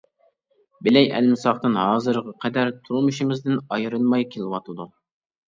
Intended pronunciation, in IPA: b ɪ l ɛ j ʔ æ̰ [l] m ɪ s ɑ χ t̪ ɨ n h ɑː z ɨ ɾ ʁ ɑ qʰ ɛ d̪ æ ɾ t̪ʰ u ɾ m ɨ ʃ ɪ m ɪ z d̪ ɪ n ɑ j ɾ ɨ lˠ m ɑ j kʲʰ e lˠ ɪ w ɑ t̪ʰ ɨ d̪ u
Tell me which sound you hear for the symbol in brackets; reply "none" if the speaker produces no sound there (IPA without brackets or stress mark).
l